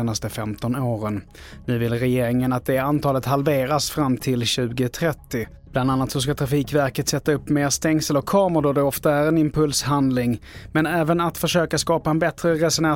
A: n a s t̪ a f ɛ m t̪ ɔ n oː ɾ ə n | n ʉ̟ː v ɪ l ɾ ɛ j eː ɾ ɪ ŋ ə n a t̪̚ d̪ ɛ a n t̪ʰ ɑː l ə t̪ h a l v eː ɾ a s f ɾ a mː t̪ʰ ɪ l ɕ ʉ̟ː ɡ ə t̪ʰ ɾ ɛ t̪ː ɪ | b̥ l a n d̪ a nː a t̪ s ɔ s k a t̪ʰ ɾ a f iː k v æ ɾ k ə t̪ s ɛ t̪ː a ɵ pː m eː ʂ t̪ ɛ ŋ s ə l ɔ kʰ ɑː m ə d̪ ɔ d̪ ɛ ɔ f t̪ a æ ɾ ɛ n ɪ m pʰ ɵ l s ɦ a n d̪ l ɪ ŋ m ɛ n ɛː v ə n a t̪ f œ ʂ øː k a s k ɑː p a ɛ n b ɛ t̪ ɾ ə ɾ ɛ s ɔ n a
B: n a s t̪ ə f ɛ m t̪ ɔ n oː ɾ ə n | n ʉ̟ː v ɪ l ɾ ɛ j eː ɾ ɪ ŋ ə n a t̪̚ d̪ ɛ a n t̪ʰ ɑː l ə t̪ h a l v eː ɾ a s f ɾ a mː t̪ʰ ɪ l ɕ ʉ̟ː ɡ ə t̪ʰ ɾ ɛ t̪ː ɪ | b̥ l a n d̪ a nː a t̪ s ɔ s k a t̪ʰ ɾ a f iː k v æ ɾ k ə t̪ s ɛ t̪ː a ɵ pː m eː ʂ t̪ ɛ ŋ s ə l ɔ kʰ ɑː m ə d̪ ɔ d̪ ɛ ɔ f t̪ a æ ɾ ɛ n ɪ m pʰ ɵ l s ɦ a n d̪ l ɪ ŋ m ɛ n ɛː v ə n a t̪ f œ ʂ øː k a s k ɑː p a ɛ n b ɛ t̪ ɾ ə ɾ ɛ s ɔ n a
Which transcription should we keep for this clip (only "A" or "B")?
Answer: B